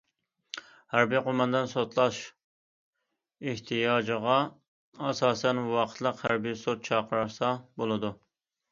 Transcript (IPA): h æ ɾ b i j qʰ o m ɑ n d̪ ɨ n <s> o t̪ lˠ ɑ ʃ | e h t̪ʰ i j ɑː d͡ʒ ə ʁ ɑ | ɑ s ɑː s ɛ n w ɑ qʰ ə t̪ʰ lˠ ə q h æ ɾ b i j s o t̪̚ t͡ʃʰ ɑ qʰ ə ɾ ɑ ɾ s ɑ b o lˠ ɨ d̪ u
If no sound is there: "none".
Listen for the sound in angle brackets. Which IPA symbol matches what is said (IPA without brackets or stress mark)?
s